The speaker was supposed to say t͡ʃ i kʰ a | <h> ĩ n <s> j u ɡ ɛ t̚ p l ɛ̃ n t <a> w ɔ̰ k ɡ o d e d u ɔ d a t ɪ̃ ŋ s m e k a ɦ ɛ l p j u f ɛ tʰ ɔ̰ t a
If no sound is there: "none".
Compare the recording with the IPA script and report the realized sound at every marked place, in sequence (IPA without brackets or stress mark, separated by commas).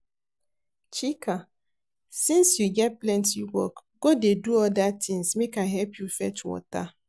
s, s, i